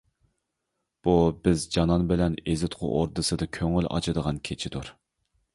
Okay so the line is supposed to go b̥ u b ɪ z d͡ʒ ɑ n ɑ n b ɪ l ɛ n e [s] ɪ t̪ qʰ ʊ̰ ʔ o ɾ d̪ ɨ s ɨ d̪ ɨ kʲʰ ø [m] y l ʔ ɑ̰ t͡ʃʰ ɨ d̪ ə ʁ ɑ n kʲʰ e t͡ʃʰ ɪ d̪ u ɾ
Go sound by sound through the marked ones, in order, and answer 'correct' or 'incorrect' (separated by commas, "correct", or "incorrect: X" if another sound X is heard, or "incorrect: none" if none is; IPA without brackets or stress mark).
incorrect: z, incorrect: ŋ